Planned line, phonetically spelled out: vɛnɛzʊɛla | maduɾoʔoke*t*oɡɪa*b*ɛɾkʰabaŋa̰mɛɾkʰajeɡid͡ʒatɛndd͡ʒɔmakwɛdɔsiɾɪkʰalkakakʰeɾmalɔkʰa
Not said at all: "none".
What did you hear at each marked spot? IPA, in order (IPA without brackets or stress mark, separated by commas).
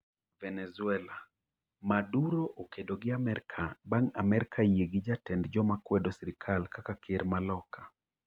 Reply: d, m